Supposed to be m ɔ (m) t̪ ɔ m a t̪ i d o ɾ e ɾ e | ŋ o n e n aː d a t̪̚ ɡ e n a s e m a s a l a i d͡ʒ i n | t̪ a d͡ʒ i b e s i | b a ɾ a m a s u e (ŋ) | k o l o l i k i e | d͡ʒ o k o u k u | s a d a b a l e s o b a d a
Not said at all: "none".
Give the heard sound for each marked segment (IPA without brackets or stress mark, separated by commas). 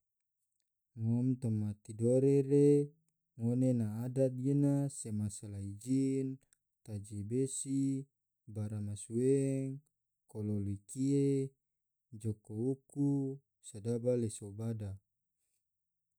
m, ŋ